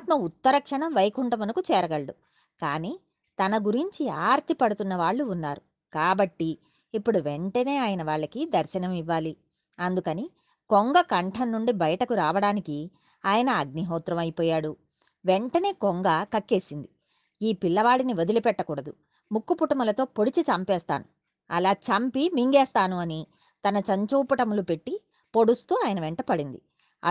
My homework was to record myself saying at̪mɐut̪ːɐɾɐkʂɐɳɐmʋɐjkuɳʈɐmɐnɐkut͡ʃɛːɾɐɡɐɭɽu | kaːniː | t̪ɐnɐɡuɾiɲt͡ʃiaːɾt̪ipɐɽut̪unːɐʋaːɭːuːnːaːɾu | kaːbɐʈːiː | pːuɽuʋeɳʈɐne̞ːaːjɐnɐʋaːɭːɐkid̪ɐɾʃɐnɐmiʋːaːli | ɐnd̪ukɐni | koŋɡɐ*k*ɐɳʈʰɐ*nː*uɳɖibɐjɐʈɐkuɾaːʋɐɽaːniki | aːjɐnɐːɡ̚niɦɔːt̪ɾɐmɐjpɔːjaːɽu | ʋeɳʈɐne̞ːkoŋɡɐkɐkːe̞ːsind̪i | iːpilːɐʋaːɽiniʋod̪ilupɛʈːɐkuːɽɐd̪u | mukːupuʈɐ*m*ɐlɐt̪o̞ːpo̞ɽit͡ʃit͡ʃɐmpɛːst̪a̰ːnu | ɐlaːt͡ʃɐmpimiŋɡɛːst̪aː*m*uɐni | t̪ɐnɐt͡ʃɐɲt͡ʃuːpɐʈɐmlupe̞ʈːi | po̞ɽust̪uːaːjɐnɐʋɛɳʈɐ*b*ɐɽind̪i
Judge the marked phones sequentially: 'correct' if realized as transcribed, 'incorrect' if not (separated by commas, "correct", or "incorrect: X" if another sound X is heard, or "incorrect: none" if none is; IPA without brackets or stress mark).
correct, correct, correct, incorrect: n, incorrect: p